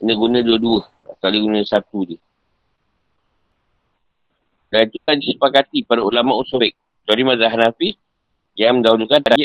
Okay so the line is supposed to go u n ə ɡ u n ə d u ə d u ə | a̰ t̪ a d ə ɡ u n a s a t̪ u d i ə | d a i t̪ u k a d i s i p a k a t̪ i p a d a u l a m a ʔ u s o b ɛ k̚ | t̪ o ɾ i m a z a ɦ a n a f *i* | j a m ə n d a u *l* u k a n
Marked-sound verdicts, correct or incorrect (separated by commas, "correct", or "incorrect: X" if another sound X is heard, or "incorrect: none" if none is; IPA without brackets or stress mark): correct, correct